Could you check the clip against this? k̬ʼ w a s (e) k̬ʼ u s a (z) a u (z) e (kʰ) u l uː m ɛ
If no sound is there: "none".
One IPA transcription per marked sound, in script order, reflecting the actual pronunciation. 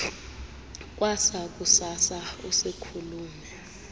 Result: a, s, s, kʰ

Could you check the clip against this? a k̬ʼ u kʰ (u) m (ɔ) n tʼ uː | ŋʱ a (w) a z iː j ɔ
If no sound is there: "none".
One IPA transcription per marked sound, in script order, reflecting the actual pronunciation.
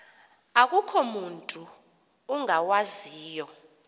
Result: ɔ, u, w

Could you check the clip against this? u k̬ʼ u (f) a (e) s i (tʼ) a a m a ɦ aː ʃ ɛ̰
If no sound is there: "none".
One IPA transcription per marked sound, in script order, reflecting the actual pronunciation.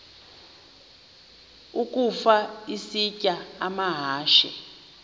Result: f, i, cʼ

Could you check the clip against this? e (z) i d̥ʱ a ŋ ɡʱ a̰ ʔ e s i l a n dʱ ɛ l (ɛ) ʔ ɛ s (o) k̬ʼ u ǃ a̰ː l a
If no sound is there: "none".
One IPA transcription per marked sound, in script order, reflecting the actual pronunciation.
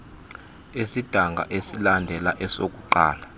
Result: s, a, o

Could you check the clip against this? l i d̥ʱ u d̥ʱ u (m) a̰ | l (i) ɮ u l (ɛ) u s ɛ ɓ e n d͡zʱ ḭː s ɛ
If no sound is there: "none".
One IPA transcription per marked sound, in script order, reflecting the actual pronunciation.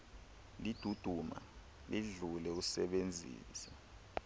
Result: m, i, ɛ

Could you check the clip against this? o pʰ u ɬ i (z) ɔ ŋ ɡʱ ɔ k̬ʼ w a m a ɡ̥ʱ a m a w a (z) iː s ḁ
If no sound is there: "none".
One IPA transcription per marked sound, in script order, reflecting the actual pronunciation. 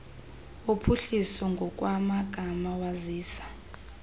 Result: s, z

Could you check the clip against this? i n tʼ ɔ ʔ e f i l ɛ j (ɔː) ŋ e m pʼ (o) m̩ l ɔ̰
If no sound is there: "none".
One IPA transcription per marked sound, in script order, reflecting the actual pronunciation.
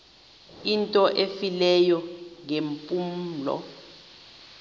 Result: ɔ, u

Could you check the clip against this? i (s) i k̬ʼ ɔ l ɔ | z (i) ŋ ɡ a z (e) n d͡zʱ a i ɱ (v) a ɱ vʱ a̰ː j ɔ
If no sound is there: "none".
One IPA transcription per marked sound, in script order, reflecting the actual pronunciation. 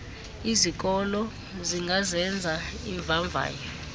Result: z, i, ɛ, v

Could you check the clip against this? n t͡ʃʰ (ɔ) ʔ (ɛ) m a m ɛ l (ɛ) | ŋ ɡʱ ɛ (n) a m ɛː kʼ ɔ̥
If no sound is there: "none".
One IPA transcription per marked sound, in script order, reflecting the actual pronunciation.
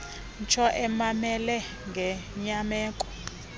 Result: ɔ, ɛ, ɛ, ɲ

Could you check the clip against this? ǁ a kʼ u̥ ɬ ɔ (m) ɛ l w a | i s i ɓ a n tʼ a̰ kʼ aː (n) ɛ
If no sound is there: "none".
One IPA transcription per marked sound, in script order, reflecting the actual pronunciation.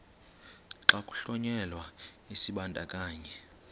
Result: ɲ, ɲ

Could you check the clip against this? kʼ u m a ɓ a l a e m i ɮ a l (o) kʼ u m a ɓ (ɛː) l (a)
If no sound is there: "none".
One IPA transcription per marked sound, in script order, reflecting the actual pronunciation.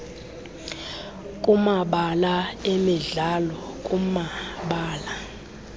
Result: ɔ, aː, a

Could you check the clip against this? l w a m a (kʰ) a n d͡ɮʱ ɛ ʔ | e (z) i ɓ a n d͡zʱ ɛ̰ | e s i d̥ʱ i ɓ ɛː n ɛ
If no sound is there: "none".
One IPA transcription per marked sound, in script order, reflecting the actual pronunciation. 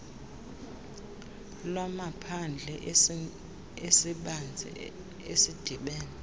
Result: pʰ, s

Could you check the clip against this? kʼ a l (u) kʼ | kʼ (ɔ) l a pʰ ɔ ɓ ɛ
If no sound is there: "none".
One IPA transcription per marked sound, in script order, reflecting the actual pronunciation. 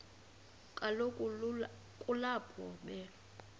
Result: o, u

